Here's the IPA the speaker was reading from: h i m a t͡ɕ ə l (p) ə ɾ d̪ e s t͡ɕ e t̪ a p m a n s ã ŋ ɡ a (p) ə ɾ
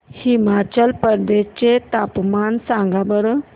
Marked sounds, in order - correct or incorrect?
correct, incorrect: b

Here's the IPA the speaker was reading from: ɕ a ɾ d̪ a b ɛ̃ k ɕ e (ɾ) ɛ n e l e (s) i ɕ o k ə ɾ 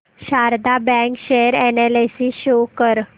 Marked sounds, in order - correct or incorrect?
correct, correct

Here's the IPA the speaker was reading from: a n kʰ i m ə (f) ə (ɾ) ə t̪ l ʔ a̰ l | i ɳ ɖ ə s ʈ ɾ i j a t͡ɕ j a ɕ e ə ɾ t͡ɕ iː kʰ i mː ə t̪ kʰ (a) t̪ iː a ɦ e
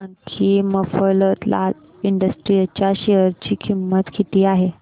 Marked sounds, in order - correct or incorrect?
correct, incorrect: l, incorrect: i

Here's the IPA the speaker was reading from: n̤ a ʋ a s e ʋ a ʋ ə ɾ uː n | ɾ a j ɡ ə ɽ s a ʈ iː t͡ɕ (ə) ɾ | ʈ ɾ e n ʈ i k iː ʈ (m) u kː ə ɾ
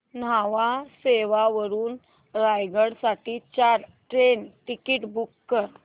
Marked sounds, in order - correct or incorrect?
incorrect: a, incorrect: b

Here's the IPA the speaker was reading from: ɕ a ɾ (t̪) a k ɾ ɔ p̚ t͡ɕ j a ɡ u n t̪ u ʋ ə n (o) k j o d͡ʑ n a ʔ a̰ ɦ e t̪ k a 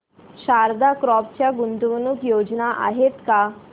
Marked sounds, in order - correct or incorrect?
incorrect: d̪, incorrect: u

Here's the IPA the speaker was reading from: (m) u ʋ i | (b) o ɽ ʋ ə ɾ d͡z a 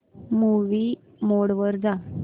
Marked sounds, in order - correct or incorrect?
correct, incorrect: m

